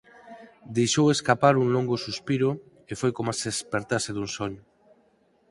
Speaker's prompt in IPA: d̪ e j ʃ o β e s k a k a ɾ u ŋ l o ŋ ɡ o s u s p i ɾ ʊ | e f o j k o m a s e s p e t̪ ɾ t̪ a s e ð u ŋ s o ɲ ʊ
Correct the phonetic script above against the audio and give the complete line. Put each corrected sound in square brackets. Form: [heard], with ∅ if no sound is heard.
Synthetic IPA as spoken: d̪ e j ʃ o [w] e s k a [p] a ɾ u ŋ l o ŋ ɡ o s u s p i ɾ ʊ | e f o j k o m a s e s p e [∅] ɾ t̪ a s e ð u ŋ s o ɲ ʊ